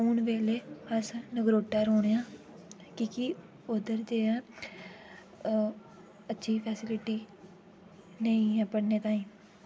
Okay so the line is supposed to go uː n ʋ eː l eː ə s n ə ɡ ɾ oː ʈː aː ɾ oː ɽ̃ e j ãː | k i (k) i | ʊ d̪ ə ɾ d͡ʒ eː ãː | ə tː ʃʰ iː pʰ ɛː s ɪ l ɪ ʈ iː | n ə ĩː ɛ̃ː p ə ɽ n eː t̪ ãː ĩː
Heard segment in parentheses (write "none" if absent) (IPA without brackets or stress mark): k